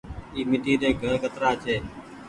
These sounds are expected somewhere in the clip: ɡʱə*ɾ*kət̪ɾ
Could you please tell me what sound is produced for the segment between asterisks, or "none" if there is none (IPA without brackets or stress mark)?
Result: ɾ